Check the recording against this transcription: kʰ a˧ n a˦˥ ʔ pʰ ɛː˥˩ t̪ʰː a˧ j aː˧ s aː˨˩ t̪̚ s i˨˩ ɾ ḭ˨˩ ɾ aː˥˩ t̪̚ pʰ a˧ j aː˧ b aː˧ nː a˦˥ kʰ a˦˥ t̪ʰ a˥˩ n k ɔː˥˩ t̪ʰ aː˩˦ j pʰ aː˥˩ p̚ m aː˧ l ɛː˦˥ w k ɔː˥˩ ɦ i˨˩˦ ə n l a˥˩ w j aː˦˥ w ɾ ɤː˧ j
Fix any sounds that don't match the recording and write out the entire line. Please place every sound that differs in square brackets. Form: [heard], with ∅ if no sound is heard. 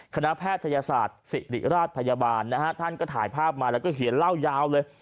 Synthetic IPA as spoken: kʰ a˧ n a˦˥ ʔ pʰ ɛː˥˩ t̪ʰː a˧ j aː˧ s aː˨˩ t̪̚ s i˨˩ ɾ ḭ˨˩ ɾ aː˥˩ t̪̚ pʰ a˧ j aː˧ b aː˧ nː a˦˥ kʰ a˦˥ t̪ʰ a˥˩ n k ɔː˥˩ t̪ʰ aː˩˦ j pʰ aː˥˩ p̚ m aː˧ l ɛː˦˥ w k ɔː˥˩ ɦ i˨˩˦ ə n l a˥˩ w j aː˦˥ w [l] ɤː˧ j